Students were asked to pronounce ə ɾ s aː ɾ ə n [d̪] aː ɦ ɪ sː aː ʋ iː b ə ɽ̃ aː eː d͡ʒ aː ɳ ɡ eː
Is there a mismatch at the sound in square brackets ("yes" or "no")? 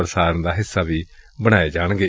no